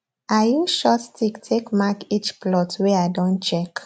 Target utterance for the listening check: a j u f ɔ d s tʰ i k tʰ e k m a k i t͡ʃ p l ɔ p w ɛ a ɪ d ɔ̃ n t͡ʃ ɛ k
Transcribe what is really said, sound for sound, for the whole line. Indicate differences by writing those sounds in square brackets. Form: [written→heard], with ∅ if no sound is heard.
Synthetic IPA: a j u [f→ʃ] ɔ [d→t] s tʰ i k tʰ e k m a k i t͡ʃ p l ɔ [p→t] w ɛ a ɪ d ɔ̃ n t͡ʃ ɛ k